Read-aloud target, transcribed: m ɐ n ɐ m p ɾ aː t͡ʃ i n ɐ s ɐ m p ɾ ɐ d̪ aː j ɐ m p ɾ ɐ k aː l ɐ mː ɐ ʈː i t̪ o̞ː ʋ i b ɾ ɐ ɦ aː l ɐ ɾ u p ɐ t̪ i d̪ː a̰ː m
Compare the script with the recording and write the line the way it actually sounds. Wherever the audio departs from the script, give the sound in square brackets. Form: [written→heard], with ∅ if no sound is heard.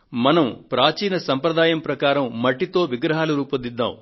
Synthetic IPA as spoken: m ɐ n ɐ m p ɾ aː t͡ʃ [i→iː] n ɐ s ɐ m p ɾ ɐ d̪ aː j ɐ m p ɾ ɐ k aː [l→ɾ] ɐ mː ɐ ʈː i t̪ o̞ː ʋ i [b→ɡ] ɾ ɐ ɦ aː l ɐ ɾ [u→uː] p ɐ [t̪→d̪] i d̪ː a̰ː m